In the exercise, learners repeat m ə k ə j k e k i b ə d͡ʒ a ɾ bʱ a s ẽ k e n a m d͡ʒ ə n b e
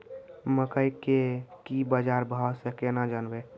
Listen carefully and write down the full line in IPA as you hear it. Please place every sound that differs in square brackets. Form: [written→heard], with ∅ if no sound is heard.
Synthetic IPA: m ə k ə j k e k i b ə d͡ʒ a ɾ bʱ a s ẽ k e n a [m→∅] d͡ʒ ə n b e